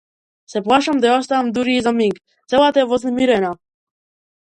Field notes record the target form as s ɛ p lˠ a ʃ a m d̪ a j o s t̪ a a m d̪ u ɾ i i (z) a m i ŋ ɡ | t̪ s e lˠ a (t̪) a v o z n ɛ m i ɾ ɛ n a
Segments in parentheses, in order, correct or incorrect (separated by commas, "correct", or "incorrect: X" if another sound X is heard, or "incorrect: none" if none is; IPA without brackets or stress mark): correct, correct